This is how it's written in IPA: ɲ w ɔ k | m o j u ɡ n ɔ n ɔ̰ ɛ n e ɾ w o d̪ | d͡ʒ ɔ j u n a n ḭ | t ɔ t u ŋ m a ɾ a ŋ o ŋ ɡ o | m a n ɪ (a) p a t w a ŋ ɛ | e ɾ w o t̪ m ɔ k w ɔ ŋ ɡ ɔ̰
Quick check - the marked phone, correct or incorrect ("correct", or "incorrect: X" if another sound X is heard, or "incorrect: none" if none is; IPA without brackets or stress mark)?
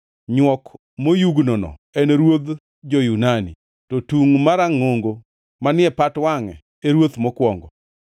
incorrect: ɛ